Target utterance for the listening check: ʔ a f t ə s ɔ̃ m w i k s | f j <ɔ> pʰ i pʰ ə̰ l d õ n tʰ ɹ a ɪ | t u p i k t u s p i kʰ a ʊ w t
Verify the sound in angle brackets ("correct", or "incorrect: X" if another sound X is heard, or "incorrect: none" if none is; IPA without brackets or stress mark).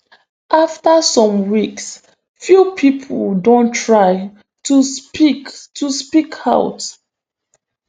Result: incorrect: u